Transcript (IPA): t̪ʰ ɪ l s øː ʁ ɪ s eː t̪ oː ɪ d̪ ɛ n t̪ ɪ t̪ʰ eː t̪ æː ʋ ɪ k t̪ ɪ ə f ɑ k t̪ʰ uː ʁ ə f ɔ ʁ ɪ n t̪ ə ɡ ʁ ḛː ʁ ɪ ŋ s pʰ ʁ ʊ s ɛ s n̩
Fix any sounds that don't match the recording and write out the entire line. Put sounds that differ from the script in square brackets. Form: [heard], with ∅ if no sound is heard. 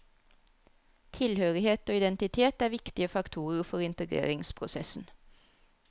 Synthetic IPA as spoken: t̪ʰ ɪ l [h] øː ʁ ɪ [h] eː t̪ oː ɪ d̪ ɛ n t̪ ɪ t̪ʰ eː t̪ æː ʋ ɪ k t̪ ɪ ə f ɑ k t̪ʰ uː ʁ ə f ɔ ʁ ɪ n t̪ ə ɡ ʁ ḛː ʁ ɪ ŋ s pʰ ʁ ʊ s ɛ s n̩